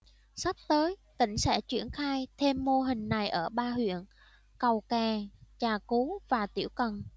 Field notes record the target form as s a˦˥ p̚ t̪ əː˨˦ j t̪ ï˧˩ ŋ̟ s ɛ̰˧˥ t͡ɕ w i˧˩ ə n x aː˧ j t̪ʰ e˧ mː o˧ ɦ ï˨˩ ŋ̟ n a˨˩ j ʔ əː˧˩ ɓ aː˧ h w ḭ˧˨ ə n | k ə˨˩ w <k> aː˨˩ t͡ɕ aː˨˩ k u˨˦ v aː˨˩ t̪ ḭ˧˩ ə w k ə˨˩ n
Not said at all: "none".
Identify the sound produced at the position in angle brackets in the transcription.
k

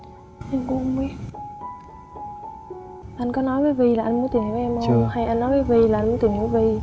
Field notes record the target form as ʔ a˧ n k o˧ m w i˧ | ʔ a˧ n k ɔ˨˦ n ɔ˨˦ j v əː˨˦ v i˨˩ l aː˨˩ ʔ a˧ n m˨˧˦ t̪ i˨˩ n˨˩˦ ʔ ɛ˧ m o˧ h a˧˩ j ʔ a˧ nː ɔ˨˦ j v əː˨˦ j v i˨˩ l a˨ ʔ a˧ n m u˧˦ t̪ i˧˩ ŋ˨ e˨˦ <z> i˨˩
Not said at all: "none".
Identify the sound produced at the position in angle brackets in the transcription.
v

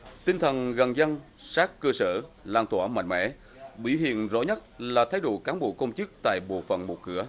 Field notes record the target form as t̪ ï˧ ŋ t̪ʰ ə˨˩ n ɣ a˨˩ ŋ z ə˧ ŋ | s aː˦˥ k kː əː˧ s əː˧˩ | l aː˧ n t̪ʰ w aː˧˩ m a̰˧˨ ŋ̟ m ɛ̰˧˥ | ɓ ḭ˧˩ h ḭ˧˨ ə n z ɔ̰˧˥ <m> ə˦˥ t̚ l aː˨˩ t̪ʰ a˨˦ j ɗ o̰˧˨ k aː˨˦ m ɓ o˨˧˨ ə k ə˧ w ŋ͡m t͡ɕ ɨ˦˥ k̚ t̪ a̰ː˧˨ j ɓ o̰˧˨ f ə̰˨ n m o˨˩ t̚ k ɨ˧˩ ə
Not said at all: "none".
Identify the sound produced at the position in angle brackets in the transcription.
ɲ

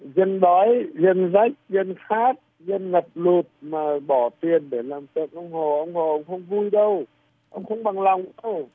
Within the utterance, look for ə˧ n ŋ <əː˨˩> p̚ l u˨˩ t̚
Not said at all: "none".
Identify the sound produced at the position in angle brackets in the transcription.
ə˨˩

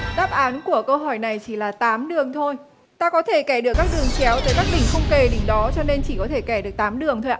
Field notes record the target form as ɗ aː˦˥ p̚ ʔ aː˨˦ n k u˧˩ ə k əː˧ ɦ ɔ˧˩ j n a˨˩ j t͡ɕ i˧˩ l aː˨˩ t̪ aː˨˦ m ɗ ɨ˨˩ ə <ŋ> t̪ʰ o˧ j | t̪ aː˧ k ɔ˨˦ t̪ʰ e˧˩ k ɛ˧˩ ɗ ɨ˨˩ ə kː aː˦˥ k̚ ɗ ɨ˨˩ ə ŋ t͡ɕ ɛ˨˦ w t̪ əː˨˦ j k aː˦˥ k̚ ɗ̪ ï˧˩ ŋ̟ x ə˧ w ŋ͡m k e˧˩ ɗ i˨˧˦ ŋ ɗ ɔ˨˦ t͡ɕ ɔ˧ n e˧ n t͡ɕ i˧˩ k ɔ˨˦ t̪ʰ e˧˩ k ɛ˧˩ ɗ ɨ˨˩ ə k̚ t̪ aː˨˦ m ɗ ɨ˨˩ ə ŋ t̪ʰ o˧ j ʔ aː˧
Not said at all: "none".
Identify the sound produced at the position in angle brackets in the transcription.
ŋ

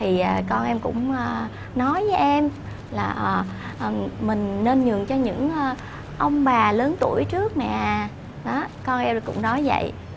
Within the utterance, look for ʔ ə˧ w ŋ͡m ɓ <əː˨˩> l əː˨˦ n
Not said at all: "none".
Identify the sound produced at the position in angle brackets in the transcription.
aː˨˩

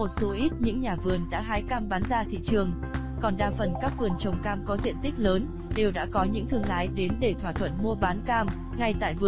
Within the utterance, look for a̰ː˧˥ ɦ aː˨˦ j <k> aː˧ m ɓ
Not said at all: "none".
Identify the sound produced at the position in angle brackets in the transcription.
k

